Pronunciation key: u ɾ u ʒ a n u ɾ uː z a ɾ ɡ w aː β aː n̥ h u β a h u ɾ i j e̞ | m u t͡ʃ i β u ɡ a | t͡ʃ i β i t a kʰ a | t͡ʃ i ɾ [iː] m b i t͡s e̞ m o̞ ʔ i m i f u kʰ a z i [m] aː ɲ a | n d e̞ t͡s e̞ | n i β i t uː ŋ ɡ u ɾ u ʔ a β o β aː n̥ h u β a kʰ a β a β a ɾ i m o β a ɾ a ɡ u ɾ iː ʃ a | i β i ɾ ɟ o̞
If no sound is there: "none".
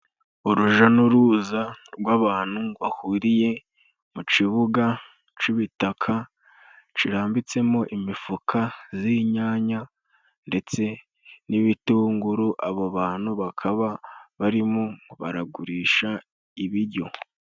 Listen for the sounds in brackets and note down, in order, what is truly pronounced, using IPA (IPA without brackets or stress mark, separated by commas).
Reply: aː, ɲ